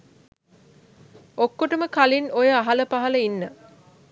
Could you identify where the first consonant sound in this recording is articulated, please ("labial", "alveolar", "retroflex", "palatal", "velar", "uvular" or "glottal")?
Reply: velar